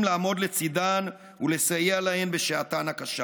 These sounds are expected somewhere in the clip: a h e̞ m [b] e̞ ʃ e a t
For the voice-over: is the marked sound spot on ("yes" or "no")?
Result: yes